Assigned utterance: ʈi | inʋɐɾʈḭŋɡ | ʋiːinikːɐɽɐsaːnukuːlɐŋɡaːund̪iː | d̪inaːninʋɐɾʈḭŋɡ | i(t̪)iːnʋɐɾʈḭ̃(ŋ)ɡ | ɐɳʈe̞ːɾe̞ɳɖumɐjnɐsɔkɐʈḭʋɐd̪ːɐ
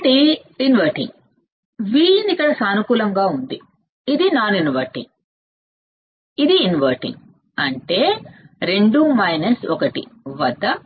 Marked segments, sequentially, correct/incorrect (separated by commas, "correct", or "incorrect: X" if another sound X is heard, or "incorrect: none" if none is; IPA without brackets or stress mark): incorrect: d̪, correct